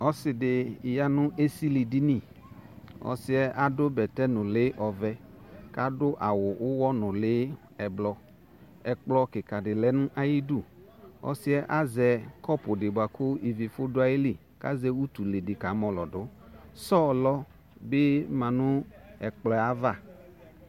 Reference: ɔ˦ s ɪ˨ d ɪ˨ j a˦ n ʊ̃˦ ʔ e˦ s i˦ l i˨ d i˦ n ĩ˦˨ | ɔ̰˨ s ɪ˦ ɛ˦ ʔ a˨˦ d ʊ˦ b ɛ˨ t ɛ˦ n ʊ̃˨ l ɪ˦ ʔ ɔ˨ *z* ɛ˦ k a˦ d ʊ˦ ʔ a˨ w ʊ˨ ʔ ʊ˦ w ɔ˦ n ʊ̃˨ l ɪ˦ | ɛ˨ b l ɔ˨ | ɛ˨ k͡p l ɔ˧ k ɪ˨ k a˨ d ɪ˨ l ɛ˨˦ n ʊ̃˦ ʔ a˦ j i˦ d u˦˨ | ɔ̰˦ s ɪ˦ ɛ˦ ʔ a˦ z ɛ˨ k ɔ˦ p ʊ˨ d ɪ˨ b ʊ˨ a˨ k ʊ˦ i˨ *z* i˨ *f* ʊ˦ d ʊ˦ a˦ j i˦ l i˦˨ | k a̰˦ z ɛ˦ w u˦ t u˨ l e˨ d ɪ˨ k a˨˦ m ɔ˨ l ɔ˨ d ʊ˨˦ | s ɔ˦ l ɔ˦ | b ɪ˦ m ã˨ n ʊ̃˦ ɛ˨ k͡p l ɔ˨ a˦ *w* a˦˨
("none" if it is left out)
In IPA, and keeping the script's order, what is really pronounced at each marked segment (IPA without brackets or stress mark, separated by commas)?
v, v, f, v